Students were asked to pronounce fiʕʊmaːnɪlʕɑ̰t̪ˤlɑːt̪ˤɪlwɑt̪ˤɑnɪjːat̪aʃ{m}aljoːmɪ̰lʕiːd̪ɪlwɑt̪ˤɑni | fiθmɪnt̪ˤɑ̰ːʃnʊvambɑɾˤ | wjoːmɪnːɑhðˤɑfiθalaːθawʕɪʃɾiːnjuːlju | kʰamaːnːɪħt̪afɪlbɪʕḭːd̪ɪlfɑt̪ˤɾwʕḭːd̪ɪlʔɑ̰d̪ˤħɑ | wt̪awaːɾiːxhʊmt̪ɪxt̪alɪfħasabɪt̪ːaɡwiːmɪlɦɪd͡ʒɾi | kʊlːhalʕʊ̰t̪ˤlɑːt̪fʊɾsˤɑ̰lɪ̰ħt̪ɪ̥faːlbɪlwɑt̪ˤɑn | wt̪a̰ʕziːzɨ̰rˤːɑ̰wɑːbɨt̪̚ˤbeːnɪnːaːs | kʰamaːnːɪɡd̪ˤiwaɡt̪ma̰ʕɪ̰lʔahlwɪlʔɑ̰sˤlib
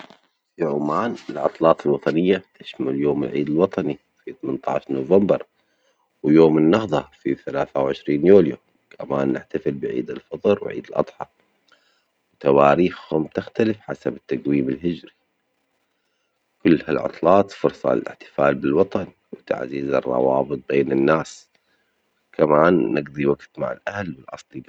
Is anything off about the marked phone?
no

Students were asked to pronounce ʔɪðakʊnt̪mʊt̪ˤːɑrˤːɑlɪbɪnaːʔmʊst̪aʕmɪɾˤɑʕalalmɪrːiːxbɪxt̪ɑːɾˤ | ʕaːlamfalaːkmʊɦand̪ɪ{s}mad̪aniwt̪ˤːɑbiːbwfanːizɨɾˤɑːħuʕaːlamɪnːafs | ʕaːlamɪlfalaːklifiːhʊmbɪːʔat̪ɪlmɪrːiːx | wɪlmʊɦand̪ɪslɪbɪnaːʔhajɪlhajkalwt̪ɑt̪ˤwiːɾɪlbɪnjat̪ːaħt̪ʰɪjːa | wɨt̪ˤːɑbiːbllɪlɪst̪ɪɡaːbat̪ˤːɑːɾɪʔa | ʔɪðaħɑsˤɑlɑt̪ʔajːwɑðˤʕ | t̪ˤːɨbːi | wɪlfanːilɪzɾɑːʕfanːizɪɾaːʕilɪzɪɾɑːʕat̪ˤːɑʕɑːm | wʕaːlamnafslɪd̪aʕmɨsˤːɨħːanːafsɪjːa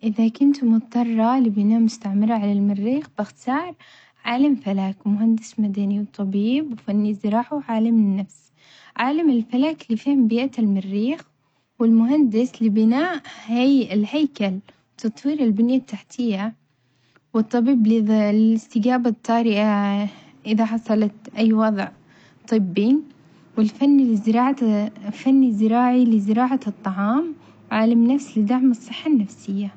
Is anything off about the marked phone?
no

